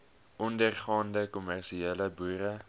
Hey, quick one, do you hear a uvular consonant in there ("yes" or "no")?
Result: yes